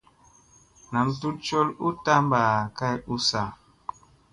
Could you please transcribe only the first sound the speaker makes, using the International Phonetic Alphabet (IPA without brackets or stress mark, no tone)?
n